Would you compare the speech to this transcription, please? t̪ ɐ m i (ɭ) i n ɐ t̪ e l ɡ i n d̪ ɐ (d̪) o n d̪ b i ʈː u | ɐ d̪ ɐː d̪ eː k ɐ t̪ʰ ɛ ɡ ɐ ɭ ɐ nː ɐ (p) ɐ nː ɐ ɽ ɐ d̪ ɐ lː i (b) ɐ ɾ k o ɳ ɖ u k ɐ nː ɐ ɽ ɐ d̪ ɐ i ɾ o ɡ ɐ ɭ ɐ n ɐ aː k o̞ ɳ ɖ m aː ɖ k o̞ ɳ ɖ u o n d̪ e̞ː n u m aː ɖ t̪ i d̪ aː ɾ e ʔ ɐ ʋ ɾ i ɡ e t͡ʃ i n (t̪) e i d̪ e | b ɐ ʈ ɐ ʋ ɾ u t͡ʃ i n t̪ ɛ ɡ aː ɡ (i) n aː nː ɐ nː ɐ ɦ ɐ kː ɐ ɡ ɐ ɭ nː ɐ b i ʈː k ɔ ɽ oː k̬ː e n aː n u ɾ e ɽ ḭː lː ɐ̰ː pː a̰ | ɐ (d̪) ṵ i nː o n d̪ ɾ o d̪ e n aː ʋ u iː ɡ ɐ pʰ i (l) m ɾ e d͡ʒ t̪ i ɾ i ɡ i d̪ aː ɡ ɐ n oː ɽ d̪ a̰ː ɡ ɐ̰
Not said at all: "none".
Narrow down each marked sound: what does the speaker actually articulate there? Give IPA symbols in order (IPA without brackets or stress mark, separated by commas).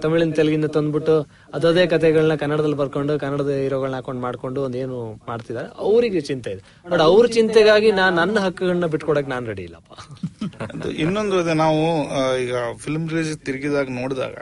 ɭ, t̪, k, b, t̪, i, d̪, l